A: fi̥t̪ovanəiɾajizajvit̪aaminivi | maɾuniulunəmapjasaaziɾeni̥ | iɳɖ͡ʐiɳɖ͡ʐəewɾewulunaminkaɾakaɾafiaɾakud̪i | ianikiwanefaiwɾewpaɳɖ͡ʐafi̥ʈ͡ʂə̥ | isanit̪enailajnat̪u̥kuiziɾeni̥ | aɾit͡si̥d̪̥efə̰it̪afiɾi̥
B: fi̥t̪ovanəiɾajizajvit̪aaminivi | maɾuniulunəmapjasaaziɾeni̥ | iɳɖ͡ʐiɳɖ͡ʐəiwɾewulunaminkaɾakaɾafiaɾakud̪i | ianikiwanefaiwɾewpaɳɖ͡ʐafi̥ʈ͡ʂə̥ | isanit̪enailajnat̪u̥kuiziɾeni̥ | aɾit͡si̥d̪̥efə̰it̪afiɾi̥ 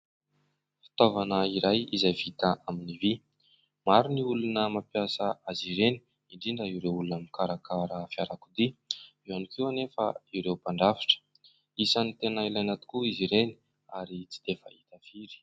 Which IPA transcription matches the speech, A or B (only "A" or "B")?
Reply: B